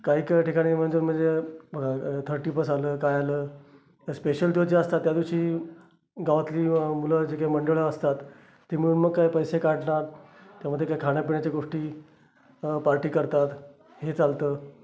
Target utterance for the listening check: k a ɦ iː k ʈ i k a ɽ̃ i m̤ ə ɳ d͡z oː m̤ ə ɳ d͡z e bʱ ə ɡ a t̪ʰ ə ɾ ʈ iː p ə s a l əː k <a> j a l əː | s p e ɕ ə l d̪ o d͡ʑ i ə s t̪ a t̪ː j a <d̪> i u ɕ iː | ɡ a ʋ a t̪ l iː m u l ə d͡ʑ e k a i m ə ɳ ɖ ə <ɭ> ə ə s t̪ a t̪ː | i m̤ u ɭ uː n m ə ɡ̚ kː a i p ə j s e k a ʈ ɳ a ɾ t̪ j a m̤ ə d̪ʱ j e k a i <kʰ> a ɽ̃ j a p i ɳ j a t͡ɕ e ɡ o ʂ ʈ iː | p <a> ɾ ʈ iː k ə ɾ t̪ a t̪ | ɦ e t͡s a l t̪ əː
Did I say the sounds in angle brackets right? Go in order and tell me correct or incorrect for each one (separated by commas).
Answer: correct, correct, correct, correct, correct